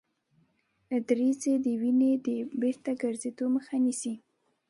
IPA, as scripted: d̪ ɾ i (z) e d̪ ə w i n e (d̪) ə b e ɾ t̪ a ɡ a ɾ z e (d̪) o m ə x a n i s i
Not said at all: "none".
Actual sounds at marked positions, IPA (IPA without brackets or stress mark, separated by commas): z, d̪, d̪